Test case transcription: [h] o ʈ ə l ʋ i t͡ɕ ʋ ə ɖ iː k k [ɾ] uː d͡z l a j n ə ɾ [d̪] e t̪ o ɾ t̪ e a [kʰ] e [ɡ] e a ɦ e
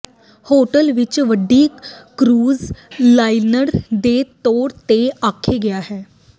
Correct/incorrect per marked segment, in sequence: correct, correct, correct, correct, correct

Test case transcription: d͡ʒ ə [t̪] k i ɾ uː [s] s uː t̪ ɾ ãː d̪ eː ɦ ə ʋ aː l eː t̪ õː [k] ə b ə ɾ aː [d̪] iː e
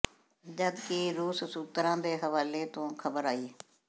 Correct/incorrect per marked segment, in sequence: incorrect: d̪, correct, incorrect: kʰ, incorrect: none

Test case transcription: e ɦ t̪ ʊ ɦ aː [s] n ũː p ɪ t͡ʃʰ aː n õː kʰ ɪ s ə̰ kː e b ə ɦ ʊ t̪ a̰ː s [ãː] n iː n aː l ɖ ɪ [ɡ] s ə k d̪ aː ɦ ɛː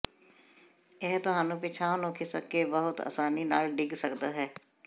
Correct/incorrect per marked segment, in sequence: incorrect: none, incorrect: aː, correct

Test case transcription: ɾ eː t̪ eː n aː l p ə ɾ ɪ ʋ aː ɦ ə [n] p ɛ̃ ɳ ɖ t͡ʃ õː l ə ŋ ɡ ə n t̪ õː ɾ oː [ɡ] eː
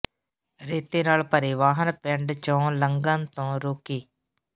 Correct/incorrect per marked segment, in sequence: correct, incorrect: k

